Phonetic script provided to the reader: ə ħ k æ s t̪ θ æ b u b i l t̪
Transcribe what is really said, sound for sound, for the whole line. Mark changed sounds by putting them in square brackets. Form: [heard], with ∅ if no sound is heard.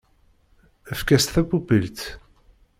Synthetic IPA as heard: ə [f] k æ s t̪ θ æ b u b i l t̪